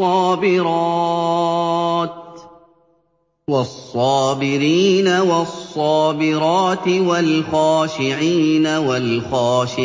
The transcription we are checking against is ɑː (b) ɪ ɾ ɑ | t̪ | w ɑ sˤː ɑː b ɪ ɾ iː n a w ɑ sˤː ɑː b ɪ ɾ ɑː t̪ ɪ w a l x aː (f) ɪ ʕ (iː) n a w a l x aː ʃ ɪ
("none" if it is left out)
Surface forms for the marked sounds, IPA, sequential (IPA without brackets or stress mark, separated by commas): b, ʃ, iː